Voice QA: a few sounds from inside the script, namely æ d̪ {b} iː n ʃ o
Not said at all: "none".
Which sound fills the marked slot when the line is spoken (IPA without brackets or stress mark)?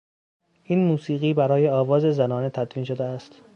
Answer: v